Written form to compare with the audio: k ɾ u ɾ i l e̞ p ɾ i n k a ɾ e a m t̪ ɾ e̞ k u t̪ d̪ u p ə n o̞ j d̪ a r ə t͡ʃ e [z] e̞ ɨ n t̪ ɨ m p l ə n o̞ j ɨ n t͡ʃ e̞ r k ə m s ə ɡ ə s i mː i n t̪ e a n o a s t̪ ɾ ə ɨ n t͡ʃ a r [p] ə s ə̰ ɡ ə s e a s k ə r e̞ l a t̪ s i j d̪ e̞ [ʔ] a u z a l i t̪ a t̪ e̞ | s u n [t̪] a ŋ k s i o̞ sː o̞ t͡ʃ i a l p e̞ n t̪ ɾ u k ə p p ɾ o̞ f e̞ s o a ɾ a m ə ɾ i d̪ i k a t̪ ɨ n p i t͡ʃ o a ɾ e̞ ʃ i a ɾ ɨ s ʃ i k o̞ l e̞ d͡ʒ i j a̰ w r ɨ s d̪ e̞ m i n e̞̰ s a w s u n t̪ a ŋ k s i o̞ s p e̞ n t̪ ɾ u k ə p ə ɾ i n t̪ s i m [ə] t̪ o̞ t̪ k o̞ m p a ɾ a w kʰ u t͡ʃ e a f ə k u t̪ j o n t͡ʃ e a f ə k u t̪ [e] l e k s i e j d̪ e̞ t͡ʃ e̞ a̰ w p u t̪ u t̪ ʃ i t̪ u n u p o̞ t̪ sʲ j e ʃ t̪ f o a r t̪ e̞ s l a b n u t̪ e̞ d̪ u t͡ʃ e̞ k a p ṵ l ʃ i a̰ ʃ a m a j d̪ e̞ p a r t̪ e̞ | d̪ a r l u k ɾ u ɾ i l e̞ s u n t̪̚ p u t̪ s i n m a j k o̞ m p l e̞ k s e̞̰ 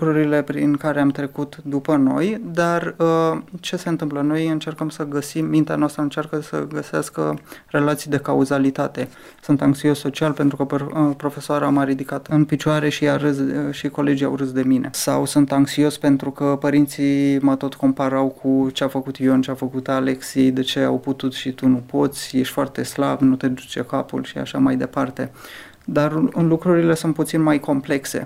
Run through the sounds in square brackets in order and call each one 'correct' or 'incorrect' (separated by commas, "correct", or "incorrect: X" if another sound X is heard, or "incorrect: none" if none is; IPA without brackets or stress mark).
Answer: incorrect: s, incorrect: k, incorrect: k, correct, correct, incorrect: a